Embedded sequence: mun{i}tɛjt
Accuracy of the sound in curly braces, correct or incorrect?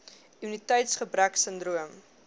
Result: correct